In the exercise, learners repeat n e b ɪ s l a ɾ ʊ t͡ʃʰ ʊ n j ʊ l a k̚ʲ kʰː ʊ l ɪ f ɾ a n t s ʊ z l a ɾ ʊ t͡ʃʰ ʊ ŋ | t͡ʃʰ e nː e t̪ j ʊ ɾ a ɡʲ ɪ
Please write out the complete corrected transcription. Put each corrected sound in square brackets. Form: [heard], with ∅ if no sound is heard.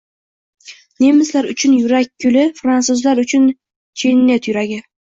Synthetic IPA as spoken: n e [m] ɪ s l a ɾ ʊ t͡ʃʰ ʊ n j ʊ [ɾ] a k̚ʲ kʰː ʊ l ɪ f ɾ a n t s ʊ z l a ɾ ʊ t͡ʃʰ ʊ [n] | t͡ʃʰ e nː e t̪ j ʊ ɾ a ɡʲ ɪ